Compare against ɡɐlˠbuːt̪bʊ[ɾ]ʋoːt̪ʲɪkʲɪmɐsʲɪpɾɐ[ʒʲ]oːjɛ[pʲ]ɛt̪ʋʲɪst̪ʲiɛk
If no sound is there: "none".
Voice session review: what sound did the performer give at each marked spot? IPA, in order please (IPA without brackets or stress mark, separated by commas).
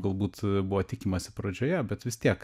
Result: none, d͡ʒʲ, bʲ